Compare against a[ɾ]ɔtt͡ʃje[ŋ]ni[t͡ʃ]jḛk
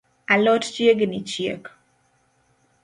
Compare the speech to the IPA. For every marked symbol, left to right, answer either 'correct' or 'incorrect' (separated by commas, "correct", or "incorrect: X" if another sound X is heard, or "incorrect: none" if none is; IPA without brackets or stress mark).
incorrect: l, incorrect: ɡ, correct